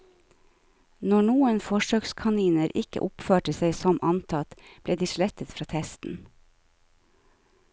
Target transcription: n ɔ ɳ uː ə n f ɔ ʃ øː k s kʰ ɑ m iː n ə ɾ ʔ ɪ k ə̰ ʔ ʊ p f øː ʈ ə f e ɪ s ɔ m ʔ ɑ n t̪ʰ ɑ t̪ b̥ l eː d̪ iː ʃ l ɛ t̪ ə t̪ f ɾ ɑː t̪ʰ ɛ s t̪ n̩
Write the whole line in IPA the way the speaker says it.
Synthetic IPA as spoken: n ɔ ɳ uː ə n f ɔ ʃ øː k s kʰ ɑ n iː n ə ɾ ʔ ɪ k ə̰ ʔ ʊ p f øː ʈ ə s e ɪ s ɔ m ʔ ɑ n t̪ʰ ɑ t̪ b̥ l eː d̪ iː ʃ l ɛ t̪ ə t̪ f ɾ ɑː t̪ʰ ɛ s t̪ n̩

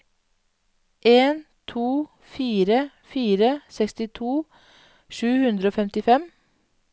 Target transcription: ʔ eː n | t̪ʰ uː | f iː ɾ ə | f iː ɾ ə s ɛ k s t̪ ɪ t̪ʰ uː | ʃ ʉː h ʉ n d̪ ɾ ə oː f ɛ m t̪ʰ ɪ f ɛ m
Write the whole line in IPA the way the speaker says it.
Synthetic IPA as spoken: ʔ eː n | t̪ʰ uː | f iː ɾ ə | f iː ɾ ə s ɛ k s t̪ ɪ t̪ʰ uː | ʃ ʉː h ʉ n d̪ ɾ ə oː f ɛ m t̪ ɪ f ɛ m

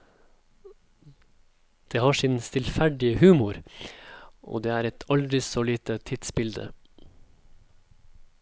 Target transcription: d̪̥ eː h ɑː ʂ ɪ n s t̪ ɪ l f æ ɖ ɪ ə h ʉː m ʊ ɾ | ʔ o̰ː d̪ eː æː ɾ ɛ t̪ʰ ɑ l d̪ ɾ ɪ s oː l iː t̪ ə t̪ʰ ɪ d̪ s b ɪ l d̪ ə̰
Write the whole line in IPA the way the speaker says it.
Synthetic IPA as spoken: d̪̥ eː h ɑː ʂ ɪ n s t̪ ɪ l f æ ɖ ɪ ə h ʉː m ʊ ɾ | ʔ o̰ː d̪ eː æː ɾ ɛ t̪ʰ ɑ l d̪ ɾ ɪ s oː l iː t̪ ə t̪ʰ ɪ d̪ s b ɪ l d̪ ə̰

